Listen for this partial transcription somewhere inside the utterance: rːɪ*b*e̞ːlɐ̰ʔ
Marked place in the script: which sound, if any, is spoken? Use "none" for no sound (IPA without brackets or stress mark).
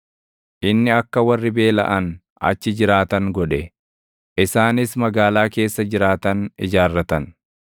b